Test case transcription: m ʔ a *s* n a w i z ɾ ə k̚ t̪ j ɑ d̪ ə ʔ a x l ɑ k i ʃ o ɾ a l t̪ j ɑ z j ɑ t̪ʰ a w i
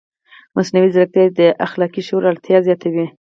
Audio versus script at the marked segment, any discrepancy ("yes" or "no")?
no